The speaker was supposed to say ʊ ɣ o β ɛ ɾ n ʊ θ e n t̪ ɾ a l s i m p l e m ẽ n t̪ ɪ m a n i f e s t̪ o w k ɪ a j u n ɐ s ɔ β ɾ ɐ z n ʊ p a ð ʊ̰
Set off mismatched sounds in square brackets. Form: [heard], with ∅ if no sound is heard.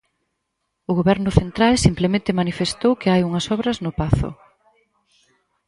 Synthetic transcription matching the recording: ʊ ɣ o β ɛ ɾ n ʊ θ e n t̪ ɾ a l s i m p l e m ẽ n t̪ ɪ m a n i f e s t̪ o w k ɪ a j u [ŋ] ɐ s ɔ β ɾ ɐ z n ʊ p a [θ] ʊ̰

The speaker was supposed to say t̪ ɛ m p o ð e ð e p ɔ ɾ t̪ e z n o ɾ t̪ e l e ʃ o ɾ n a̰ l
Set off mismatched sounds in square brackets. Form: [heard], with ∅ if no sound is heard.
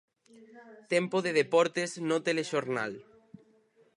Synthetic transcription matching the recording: t̪ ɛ m p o ð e ð e p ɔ ɾ t̪ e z n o [∅] t̪ e l e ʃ o ɾ n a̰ l

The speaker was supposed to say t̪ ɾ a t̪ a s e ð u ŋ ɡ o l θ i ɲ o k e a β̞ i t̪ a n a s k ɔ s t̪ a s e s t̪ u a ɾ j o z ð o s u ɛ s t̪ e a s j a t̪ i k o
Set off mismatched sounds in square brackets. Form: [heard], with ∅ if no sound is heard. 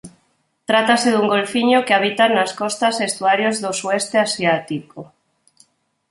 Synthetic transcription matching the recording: t̪ ɾ a t̪ a s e ð u ŋ ɡ o l [f] i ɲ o k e a β̞ i t̪ a n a s k ɔ s t̪ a s e s t̪ u a ɾ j o z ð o s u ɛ s t̪ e a s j a t̪ i k o

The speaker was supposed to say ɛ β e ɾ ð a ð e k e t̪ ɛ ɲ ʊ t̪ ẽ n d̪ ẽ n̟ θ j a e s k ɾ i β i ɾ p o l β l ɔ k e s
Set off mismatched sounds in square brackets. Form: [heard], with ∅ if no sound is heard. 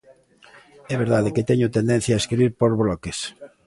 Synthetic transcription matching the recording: ɛ β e ɾ ð a ð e k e t̪ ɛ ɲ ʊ t̪ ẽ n d̪ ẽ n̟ θ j a e s k ɾ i β i ɾ p o [ɾ] β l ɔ k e s

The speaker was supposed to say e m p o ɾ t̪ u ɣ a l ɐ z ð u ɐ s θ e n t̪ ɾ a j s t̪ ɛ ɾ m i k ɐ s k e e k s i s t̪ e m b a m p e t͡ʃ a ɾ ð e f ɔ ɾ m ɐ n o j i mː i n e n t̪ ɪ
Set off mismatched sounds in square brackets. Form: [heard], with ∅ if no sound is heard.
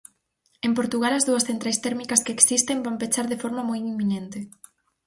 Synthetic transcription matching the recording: e m p o ɾ t̪ u ɣ a l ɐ z ð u ɐ s θ e n t̪ ɾ a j s t̪ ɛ ɾ m i k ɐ s k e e k s i s t̪ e m b a m p e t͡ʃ a ɾ ð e f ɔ ɾ m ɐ [m] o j i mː i n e n t̪ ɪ

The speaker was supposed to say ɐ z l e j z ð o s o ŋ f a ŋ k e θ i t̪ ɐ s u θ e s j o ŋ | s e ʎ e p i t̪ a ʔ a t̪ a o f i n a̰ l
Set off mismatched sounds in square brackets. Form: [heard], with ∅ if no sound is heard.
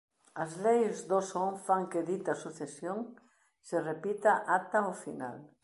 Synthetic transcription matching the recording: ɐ z l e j z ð o s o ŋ f a ŋ k e [ð] i t̪ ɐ s u θ e s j o ŋ | s e [r] e p i t̪ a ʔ a t̪ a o f i n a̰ l

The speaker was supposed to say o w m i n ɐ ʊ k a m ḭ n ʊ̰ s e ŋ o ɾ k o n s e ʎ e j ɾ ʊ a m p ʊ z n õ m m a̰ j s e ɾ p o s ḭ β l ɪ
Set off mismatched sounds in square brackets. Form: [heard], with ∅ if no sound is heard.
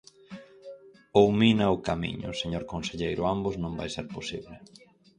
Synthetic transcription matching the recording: o w m i n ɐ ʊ k a m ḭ [ɲ] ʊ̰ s e [ɲ] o ɾ k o n s e ʎ e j ɾ ʊ a m [b] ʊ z n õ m [b] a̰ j s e ɾ p o s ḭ β l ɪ

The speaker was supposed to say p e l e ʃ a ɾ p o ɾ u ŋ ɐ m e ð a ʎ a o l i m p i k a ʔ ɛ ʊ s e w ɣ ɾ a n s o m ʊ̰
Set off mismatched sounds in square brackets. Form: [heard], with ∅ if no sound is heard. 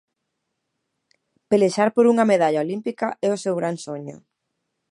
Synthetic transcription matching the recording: p e l e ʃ a ɾ p o ɾ u ŋ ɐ m e ð a ʎ a o l i m p i k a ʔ ɛ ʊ s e w ɣ ɾ a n s o [ɲ] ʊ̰

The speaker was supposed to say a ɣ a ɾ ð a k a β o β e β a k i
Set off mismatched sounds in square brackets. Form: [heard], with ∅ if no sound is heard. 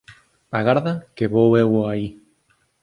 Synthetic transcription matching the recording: a ɣ a ɾ ð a k [e] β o [w] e [w] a [∅] i

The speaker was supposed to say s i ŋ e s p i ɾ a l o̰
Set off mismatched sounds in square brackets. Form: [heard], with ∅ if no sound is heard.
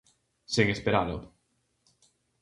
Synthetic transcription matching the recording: s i ŋ e s p [e] ɾ a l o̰

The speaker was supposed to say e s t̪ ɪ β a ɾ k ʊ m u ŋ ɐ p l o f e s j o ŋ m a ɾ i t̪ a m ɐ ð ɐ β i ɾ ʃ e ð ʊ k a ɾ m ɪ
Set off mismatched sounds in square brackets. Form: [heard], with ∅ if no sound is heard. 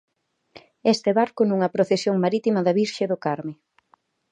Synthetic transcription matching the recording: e s t̪ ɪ β a ɾ k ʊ [n] u ŋ ɐ p [ɾ] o [θ] e s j o ŋ m a ɾ i t̪ [i] m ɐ ð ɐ β i ɾ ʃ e ð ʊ k a ɾ m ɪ

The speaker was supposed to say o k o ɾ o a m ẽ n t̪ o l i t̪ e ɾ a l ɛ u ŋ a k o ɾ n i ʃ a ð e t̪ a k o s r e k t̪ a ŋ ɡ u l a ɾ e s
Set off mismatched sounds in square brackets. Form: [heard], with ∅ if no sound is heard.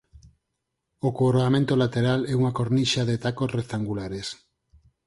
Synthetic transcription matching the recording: o k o ɾ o a m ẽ n t̪ o l [a] t̪ e ɾ a l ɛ u ŋ a k o ɾ n i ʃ a ð e t̪ a k o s r e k t̪ a ŋ ɡ u l a ɾ e s

